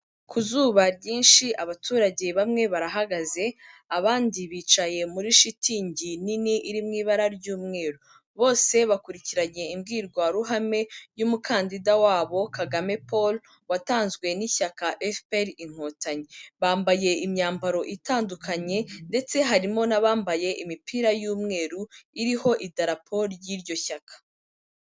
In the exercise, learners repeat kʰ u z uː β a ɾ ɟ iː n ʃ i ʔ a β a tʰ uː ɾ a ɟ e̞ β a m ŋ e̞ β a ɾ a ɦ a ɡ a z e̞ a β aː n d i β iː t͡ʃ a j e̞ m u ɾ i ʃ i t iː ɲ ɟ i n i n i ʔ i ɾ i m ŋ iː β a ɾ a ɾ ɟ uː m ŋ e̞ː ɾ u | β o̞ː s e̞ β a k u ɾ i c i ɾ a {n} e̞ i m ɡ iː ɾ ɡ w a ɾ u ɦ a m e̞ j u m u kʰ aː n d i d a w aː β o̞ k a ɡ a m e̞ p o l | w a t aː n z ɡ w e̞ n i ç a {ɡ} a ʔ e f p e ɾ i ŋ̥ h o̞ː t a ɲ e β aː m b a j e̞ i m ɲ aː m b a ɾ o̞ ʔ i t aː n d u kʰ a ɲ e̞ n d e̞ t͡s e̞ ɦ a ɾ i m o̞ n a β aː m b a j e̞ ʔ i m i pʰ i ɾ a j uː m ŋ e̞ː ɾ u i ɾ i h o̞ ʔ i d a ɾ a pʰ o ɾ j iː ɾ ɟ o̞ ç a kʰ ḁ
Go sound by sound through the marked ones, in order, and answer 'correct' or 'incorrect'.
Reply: incorrect: ɲ, incorrect: k

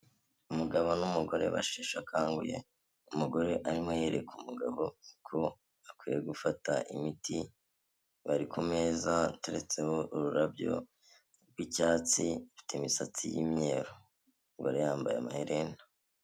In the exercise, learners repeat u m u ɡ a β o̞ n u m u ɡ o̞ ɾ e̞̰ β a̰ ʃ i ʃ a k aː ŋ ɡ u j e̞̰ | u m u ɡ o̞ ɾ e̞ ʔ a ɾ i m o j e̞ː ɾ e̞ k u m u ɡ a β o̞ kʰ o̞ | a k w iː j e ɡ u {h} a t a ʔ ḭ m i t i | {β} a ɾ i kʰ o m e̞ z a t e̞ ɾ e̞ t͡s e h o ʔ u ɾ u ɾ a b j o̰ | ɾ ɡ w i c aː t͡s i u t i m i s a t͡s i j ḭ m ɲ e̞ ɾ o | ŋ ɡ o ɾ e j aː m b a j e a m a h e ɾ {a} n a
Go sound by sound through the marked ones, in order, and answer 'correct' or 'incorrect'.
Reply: incorrect: f, correct, incorrect: e

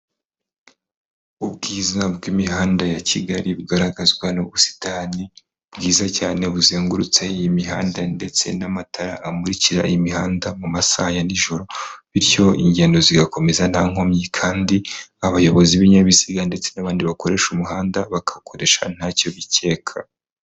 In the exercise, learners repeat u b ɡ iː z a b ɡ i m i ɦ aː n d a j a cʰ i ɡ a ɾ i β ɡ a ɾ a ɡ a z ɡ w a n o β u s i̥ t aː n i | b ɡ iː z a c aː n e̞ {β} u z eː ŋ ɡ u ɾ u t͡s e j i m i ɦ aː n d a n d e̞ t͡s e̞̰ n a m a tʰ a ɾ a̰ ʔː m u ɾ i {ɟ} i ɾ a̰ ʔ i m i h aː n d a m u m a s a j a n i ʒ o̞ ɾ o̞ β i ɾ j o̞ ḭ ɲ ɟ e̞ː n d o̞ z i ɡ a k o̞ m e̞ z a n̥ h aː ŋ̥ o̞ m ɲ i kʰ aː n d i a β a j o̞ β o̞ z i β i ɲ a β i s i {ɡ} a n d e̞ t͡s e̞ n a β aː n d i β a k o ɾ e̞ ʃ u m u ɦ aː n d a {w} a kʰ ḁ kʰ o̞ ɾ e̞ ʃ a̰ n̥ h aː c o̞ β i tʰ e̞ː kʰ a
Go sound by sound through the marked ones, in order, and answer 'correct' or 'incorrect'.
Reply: correct, incorrect: c, correct, incorrect: β

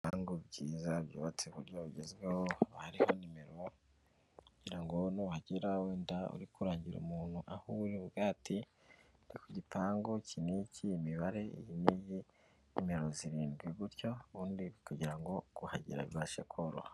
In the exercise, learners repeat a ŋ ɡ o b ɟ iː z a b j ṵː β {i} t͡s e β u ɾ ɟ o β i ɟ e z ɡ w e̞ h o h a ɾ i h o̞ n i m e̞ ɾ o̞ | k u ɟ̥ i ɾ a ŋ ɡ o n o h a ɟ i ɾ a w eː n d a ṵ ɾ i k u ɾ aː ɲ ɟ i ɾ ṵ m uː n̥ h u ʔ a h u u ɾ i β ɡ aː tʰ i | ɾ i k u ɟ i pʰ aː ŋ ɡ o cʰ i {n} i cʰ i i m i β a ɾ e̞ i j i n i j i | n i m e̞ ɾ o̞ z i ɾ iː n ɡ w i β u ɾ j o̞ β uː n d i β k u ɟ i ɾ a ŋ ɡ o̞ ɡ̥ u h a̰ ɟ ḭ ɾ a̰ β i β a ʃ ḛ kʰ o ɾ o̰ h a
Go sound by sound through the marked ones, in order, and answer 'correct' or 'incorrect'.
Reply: incorrect: a, correct

